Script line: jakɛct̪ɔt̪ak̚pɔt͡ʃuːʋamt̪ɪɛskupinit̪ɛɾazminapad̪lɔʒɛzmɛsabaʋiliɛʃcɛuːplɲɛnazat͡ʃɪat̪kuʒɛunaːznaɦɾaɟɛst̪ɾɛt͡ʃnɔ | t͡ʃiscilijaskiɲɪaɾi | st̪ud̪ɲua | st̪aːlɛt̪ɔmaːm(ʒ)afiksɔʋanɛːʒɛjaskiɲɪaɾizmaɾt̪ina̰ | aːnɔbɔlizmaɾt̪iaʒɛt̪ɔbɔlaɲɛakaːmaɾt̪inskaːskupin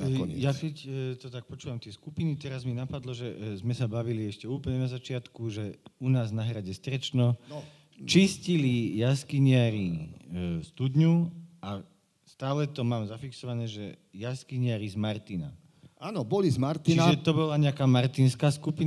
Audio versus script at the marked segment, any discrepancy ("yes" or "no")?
yes